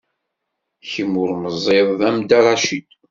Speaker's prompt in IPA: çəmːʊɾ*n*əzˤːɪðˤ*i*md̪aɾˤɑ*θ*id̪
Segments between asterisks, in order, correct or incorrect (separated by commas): incorrect, incorrect, incorrect